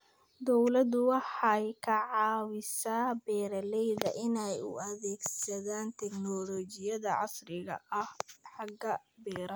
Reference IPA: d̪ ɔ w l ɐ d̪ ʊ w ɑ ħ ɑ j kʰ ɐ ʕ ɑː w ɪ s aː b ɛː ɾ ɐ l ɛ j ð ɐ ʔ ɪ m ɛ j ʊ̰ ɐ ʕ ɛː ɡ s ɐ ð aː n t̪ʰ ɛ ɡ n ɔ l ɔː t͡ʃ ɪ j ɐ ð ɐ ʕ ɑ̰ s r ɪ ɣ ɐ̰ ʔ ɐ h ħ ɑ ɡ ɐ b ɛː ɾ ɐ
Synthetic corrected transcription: d̪ ɔ w l ɐ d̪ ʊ w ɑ ħ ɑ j kʰ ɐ ʕ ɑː w ɪ s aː b ɛː ɾ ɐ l ɛ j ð ɐ ʔ ɪ n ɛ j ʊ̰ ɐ ð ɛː ɡ s ɐ ð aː n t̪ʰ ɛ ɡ n ɔ l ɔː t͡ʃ ɪ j ɐ ð ɐ ʕ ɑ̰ s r ɪ ɣ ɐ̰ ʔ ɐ h ħ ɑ ɡ ɐ b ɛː ɾ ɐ